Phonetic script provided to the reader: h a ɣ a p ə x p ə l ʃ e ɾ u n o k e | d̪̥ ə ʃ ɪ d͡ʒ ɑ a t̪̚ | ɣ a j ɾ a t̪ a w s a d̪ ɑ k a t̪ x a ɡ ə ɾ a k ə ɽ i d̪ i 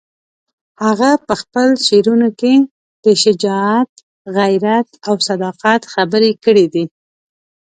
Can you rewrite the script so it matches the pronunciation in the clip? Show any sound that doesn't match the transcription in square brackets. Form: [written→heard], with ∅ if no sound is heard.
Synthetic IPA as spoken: h a ɣ a p ə x p ə l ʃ e ɾ u n o k e | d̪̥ ə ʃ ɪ d͡ʒ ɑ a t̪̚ | ɣ a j ɾ a t̪ a w s a d̪ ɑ [k→q] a t̪ x a [ɡ→b] ə ɾ [a→e] k ə ɽ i d̪ i